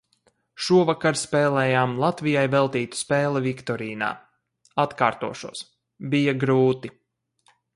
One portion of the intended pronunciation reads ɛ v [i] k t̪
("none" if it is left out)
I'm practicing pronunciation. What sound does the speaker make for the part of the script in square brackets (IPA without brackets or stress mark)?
i